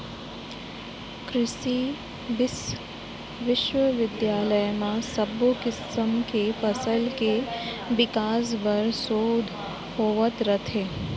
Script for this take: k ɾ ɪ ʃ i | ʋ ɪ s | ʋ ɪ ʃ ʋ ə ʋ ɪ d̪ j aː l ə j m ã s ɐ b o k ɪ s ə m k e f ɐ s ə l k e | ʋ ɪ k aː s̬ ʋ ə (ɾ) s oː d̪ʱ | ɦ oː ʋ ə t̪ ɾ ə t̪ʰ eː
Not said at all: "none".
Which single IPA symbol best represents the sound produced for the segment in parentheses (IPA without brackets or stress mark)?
ɾ